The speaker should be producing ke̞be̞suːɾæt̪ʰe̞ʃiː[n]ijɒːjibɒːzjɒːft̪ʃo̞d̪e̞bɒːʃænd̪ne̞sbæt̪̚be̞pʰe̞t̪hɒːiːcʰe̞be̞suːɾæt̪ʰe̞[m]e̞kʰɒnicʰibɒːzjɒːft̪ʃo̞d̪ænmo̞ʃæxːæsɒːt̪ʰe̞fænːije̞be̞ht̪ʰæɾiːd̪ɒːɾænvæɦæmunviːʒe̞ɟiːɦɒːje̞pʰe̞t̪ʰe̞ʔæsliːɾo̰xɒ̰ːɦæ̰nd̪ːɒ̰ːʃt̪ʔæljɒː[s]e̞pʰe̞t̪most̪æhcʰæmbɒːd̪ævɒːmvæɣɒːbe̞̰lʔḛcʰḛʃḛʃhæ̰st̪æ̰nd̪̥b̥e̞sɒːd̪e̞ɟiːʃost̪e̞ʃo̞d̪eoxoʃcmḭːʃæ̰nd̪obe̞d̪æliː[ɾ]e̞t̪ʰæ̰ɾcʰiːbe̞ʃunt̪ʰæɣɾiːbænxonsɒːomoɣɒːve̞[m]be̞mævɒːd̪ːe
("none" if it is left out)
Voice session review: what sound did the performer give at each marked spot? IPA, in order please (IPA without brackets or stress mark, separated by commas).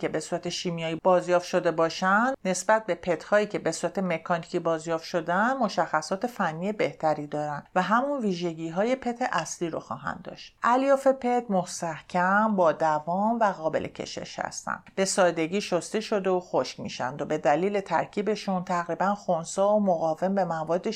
m, m, f, l, m